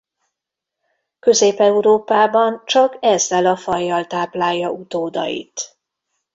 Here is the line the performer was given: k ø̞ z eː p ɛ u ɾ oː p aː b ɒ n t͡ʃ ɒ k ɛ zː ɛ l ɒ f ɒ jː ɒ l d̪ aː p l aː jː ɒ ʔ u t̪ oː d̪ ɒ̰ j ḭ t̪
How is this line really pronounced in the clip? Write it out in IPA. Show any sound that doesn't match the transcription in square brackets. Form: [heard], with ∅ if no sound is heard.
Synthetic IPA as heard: k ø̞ z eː p ɛ u ɾ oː p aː b ɒ n t͡ʃ ɒ k ɛ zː ɛ l ɒ f ɒ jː ɒ l [t̪] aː p l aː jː ɒ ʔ u t̪ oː d̪ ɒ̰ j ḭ t̪